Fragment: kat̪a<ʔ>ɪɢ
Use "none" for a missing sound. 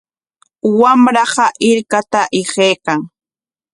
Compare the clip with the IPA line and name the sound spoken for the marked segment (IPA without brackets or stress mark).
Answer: ʔ